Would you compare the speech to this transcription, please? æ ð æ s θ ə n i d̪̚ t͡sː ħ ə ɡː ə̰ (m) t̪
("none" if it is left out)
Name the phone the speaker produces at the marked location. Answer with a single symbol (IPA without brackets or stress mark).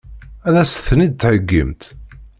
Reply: m